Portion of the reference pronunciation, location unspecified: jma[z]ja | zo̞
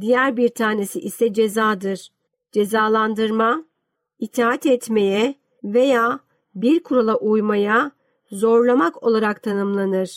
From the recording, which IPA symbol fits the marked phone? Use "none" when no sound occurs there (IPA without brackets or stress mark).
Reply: none